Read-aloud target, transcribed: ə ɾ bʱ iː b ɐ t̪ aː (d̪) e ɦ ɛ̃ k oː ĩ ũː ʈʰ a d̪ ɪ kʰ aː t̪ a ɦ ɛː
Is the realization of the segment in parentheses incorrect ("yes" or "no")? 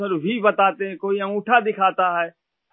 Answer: yes